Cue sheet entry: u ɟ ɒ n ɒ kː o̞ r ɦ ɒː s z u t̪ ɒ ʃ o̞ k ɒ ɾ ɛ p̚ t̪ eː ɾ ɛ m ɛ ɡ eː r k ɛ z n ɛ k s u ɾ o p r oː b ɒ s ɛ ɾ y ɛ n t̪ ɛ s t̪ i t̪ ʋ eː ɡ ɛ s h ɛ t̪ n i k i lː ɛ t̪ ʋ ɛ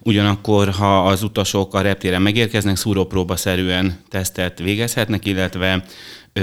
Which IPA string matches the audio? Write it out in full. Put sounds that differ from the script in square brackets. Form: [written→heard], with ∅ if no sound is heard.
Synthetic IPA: u ɟ ɒ n ɒ kː o̞ r ɦ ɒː [s→∅] z u t̪ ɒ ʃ o̞ k ɒ ɾ ɛ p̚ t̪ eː ɾ ɛ m ɛ ɡ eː r k ɛ z n ɛ k s u ɾ o p r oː b ɒ s ɛ ɾ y ɛ n t̪ ɛ s t̪ [i→ɛ] t̪ ʋ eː ɡ ɛ s h ɛ t̪ n [i→ɛ] k i lː ɛ t̪ ʋ ɛ